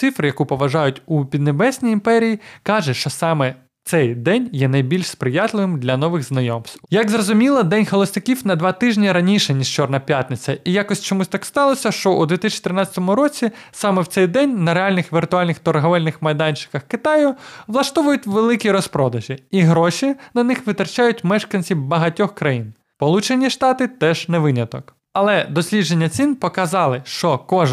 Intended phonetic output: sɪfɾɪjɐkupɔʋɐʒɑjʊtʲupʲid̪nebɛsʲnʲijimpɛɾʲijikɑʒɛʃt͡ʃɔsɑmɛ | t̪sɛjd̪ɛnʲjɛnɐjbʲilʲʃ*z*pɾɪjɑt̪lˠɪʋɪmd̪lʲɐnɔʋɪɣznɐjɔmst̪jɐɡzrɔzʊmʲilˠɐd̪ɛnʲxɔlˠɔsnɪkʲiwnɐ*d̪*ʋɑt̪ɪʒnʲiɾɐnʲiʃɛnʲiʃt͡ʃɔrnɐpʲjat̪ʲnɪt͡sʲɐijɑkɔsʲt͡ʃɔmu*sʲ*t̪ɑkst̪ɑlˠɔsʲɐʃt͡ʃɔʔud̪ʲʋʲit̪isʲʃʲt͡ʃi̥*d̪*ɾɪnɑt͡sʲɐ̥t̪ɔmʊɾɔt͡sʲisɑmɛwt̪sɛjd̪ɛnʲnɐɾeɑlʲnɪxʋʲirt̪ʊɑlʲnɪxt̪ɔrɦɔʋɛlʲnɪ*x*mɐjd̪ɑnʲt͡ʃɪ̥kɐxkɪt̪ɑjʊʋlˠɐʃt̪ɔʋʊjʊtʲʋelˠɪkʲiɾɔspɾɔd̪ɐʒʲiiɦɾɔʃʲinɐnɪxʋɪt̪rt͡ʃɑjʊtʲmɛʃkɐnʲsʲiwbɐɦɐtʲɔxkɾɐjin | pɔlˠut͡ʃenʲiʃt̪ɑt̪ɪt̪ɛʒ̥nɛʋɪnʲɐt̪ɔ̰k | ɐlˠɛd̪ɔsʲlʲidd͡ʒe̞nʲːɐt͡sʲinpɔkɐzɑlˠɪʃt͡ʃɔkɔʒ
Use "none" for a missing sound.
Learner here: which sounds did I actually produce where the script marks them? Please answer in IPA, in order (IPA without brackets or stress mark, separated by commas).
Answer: s, d̪, sʲ, t̪, x